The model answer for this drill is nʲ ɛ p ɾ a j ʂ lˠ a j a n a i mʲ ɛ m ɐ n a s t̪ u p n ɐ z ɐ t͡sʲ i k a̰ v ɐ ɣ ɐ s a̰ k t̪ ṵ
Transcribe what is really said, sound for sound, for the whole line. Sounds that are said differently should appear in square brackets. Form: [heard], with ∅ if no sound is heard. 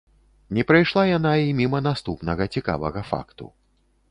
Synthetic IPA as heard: nʲ ɛ p ɾ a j ʂ lˠ a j a n a i mʲ [i] m ɐ n a s t̪ u p n ɐ [ɣ] ɐ t͡sʲ i k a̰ v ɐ ɣ ɐ [f] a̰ k t̪ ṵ